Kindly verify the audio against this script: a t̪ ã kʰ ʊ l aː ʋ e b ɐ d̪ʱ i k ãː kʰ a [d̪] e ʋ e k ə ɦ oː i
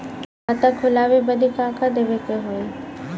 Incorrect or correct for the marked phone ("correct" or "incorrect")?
correct